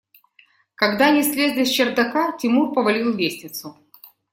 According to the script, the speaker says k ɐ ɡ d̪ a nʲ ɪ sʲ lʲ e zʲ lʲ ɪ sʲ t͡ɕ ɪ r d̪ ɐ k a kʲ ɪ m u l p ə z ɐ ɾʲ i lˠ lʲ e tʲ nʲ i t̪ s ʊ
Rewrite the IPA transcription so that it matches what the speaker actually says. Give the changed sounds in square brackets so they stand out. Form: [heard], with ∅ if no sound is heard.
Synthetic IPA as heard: k ɐ ɡ d̪ a nʲ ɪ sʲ lʲ e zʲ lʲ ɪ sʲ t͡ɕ ɪ r d̪ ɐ k a [tʲ] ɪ m u [r] p ə [v] ɐ [lʲ] i lˠ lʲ e [sʲ] nʲ [ɪ] t̪ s ʊ